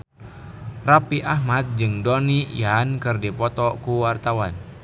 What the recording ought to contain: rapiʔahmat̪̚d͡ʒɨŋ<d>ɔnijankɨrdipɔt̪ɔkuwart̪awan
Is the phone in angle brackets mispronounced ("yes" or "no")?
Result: no